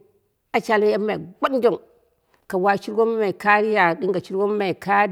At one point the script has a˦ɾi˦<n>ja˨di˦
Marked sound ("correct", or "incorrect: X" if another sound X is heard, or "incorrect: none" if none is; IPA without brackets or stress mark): incorrect: none